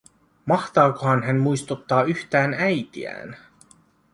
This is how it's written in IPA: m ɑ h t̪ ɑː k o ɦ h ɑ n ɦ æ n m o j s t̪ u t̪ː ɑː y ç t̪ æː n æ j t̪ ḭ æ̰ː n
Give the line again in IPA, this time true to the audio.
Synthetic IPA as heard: m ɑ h t̪ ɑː k o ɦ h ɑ n ɦ æ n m u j s t̪ u t̪ː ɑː y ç t̪ æː n æ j t̪ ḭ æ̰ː n

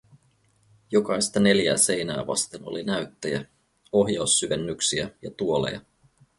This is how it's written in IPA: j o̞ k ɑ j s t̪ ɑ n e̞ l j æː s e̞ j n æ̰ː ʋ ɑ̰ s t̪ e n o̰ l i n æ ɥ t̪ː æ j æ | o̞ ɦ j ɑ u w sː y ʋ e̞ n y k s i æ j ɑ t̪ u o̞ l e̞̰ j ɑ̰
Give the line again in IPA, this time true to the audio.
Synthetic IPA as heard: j o̞ k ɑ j s t̪ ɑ n e̞ l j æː s e̞ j n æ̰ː ʋ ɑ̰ s t̪ e n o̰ l i n æ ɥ t̪ː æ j æ | o̞ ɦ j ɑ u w sː y ʋ e̞ nː y k s i æ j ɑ t̪ u o̞ l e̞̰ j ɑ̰

